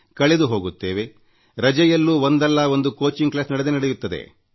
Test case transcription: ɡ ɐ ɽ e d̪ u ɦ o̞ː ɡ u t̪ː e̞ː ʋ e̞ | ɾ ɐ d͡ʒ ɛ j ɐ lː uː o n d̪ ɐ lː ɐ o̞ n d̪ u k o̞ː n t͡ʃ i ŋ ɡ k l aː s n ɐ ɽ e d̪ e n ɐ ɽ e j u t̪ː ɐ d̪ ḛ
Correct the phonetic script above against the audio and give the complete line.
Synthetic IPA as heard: k ɐ ɭ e d̪ u ɦ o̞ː ɡ u t̪ː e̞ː ʋ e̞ | ɾ ɐ d͡ʒ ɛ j ɐ lː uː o n d̪ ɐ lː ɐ o̞ n d̪ u k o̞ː t͡ʃ i ŋ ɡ k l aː s n ɐ ɽ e d̪ e n ɐ ɽ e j u t̪ː ɐ d̪ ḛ